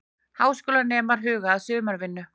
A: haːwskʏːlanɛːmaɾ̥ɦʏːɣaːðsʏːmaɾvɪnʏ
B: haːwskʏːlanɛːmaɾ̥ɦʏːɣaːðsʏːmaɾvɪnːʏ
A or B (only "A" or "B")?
B